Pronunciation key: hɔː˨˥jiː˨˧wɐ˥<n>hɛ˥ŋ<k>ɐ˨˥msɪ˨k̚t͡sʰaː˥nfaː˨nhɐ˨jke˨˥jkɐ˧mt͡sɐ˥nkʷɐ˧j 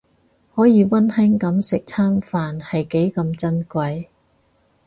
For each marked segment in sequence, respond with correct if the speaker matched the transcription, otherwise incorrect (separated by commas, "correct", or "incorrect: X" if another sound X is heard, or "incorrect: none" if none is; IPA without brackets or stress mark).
correct, correct